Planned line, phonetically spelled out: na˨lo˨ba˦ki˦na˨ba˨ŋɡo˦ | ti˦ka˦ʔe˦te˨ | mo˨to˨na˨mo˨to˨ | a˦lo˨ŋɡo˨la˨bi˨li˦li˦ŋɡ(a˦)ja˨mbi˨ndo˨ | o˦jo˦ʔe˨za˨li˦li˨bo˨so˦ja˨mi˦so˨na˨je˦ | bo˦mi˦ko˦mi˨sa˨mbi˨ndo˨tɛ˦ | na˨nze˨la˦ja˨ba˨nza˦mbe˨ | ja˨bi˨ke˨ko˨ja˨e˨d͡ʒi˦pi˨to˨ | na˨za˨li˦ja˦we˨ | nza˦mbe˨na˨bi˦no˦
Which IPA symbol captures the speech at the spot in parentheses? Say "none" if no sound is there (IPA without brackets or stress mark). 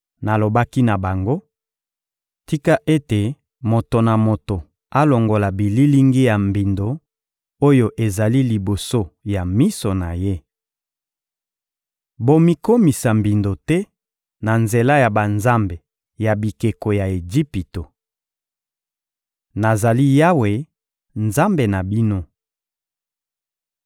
i˦